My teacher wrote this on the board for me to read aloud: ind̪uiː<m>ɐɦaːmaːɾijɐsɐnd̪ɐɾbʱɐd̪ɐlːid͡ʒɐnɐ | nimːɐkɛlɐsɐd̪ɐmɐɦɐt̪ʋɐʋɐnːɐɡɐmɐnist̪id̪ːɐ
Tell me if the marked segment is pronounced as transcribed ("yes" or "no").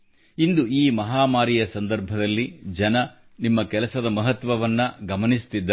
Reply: yes